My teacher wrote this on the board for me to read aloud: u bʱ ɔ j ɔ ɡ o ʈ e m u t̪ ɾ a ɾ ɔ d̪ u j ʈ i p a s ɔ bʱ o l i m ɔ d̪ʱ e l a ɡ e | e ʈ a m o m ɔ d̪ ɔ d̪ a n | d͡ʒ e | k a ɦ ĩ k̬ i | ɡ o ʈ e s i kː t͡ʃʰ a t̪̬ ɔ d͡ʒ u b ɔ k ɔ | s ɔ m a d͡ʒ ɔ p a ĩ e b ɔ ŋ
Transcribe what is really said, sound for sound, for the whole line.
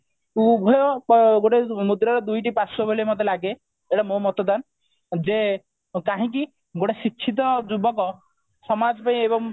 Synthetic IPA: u bʱ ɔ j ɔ ɡ o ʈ e m u d̪ ɾ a ɾ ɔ d̪ u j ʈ i p a s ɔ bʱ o l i m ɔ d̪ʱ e l a ɡ e | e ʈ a m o m ɔ t̪ ɔ d̪ a n | d͡ʒ e | k a ɦ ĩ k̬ i | ɡ o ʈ e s i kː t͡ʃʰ i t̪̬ ɔ d͡ʒ u b ɔ k ɔ | s ɔ m a d͡ʒ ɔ p a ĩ e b ɔ ŋ